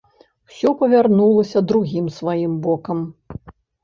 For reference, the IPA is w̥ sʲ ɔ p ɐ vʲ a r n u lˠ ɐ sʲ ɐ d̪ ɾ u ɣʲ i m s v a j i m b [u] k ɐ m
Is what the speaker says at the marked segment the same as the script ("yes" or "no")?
no